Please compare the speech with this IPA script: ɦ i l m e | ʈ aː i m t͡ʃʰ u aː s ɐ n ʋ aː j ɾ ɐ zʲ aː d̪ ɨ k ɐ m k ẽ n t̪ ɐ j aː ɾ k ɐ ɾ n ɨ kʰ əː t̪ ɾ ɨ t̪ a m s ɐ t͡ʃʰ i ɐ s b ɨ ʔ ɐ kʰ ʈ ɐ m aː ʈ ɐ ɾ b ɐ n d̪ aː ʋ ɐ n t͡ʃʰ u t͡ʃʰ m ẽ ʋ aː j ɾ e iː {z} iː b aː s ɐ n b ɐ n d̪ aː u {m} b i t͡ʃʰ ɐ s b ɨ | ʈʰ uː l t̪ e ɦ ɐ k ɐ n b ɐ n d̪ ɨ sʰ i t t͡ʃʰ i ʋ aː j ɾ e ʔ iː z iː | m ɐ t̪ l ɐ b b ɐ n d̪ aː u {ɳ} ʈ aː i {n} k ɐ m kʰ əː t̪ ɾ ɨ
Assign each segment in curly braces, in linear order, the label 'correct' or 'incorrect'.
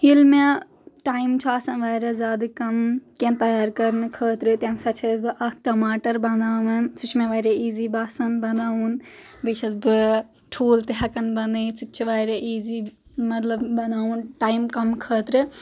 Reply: correct, incorrect: n, incorrect: n, incorrect: m

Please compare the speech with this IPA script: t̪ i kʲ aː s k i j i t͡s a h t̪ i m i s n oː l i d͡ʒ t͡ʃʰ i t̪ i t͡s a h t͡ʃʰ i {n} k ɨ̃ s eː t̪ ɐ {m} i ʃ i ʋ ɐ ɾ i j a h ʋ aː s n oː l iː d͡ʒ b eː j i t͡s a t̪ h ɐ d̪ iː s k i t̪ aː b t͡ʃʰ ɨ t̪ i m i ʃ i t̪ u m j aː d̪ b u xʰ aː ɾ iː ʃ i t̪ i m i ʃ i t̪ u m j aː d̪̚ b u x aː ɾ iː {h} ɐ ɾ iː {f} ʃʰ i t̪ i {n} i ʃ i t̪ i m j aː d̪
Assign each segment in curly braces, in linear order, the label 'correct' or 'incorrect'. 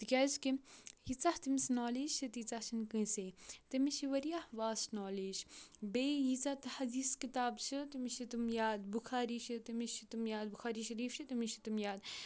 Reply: correct, correct, incorrect: ʃ, correct, incorrect: m

